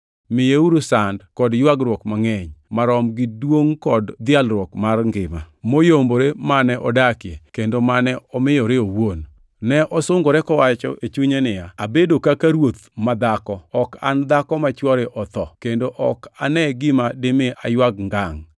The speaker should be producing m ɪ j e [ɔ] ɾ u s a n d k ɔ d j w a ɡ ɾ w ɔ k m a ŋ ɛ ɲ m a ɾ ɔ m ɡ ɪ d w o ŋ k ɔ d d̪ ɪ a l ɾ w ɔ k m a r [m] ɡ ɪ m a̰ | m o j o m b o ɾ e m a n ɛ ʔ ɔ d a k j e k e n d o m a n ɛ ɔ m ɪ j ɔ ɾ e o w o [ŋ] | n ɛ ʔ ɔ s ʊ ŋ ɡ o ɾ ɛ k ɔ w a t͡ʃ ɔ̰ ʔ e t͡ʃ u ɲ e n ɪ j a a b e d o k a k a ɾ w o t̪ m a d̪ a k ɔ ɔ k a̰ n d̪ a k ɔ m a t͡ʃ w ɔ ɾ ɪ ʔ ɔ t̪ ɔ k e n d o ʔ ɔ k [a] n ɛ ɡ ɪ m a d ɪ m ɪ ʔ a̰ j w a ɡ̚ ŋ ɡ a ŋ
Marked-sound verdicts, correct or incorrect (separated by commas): incorrect, incorrect, incorrect, correct